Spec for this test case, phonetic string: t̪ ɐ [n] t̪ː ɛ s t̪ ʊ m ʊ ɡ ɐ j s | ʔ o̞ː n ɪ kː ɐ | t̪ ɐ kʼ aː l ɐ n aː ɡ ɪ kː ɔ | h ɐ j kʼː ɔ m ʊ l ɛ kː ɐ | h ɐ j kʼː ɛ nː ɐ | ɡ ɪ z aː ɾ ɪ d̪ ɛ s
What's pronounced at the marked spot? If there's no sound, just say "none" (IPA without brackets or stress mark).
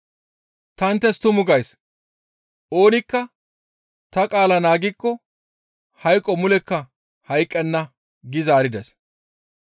n